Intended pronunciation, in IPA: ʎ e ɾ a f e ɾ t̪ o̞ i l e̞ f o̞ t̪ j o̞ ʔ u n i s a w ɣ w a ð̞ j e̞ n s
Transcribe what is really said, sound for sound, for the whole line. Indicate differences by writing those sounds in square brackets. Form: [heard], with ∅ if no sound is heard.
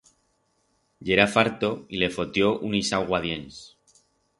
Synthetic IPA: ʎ e ɾ a f [a] ɾ t̪ o̞ i l e̞ f o̞ t̪ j o̞ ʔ u n i s a w ɣ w a ð̞ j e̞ n s